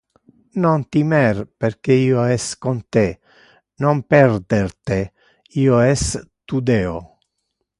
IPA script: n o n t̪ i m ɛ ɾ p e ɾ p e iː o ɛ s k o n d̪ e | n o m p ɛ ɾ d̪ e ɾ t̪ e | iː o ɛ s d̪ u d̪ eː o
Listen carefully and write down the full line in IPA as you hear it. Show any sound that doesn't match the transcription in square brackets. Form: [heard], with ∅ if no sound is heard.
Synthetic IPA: n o n t̪ i m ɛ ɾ p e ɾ [k] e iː o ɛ s k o n [t̪] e | n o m p ɛ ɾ d̪ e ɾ t̪ e | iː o ɛ s [t̪] u d̪ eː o